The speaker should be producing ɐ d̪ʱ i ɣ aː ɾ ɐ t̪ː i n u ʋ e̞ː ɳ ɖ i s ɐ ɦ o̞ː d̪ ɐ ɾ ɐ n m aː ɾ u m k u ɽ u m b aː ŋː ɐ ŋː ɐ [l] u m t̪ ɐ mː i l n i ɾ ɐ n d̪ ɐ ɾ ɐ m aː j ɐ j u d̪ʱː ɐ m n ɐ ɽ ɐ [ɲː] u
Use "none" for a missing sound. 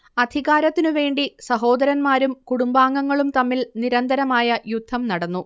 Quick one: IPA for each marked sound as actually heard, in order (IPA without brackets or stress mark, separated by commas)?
ɭ, nː